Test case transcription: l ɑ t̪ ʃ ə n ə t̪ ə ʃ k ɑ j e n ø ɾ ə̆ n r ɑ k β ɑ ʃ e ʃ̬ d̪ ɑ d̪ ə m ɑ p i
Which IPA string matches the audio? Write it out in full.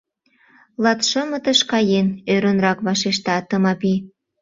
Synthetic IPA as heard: l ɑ t̪ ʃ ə m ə t̪ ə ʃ k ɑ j e n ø ɾ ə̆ n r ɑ k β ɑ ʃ e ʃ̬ t̪ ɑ t̪ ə m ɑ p i

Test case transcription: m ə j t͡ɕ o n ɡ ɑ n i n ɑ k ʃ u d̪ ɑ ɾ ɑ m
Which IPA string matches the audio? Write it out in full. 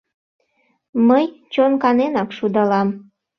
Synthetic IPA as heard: m ə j t͡ɕ o n k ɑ n e n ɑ k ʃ u d̪ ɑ l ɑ m

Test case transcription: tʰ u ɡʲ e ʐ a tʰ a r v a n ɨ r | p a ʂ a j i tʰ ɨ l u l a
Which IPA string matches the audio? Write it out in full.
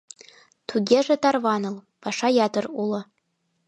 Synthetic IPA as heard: tʰ u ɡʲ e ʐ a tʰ a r v a n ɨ l | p a ʂ a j a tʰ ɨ r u l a

